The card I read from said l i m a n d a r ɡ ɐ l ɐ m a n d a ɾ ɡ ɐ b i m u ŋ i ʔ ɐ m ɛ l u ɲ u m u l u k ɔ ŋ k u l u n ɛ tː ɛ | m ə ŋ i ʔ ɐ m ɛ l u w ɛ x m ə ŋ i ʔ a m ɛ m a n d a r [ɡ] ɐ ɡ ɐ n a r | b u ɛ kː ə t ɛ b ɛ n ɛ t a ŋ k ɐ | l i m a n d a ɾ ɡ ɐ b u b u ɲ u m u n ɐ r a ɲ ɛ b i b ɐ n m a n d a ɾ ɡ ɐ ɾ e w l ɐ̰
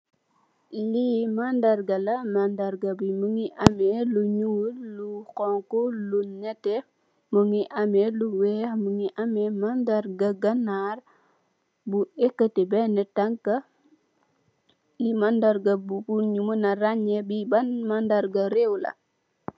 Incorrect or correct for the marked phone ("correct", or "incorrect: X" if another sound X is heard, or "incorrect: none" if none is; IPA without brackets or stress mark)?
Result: correct